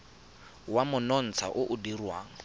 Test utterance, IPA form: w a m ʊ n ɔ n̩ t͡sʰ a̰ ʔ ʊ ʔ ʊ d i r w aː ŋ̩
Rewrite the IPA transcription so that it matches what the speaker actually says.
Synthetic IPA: w a m ʊ n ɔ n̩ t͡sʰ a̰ ʔ ʊ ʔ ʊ d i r w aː ŋ̩